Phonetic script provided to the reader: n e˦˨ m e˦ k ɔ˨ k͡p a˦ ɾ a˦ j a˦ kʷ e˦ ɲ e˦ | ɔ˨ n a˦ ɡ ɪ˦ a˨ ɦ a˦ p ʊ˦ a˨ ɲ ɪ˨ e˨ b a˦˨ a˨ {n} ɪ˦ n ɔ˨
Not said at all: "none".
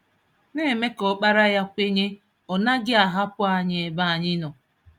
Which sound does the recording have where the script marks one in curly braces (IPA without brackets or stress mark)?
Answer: ɲ